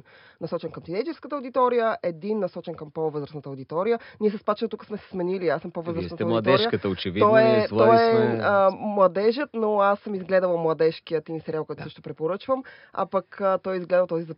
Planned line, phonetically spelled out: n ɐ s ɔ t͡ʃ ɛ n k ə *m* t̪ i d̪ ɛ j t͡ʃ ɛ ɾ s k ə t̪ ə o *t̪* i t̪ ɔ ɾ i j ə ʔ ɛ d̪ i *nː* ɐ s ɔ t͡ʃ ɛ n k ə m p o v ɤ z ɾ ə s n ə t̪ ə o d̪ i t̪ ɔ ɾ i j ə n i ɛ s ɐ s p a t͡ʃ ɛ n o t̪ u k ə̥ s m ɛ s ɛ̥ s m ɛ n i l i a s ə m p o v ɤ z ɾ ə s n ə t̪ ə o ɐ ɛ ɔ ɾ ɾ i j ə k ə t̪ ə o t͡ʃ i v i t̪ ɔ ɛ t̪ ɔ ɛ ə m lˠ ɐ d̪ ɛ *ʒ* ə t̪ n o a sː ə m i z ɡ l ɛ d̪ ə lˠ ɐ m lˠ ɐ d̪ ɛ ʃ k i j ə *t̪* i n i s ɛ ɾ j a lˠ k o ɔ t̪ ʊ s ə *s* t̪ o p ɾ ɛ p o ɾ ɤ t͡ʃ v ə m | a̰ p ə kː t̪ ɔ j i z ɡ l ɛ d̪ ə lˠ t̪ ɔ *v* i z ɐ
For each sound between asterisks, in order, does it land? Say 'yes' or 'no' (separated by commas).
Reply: yes, no, yes, yes, yes, no, no